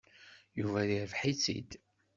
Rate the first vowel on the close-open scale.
close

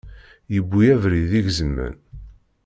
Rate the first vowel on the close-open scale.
mid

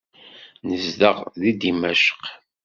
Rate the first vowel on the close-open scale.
mid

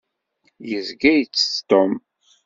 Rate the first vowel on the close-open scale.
mid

